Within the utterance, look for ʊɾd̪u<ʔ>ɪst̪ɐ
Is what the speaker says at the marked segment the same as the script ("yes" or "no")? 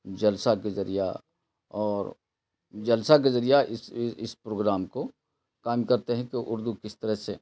no